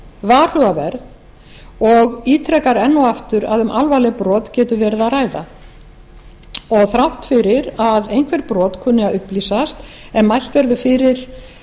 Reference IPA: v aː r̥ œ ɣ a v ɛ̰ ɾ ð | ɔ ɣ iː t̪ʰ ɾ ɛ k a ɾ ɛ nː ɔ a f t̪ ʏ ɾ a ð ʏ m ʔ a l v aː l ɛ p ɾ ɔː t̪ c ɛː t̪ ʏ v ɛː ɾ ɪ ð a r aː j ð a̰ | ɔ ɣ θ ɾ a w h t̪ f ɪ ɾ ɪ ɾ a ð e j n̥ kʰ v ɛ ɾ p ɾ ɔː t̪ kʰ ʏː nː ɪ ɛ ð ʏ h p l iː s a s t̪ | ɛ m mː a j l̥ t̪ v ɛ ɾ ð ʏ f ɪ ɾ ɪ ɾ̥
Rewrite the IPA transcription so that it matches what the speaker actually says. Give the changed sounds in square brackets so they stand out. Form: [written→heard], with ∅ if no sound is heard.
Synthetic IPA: v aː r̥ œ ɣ a v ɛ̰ ɾ ð | ɔ ɣ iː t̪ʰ ɾ ɛ k a ɾ ɛ nː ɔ a f t̪ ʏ ɾ a ð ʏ m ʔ a l v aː l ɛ p ɾ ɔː t̪ c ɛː t̪ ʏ v ɛː ɾ ɪ ð a r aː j ð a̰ | ɔ ɣ θ ɾ a w h t̪ f ɪ ɾ ɪ ɾ a ð e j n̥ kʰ v ɛ ɾ p ɾ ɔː t̪ kʰ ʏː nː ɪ [ɛ→a] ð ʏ h p l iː s a s t̪ | ɛ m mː a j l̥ t̪ v ɛ ɾ ð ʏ f ɪ ɾ ɪ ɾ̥